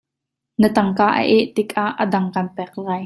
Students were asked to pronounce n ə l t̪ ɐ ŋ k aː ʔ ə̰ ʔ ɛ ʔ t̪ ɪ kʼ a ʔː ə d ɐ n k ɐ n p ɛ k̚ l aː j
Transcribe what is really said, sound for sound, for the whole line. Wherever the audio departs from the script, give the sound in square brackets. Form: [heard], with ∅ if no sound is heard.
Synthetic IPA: n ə [∅] t̪ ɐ ŋ k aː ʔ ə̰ ʔ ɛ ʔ t̪ ɪ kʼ a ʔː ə d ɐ [ŋ] k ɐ n p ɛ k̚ l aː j